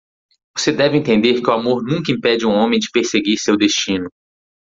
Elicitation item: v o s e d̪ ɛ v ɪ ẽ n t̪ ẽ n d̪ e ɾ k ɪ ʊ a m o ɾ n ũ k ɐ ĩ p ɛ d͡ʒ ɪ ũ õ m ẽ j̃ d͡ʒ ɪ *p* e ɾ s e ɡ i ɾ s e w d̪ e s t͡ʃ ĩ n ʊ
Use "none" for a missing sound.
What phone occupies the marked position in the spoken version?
p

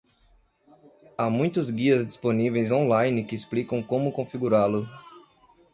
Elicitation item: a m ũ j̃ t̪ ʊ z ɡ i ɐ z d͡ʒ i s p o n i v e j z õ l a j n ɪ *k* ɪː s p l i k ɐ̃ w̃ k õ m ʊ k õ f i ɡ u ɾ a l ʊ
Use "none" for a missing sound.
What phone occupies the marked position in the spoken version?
k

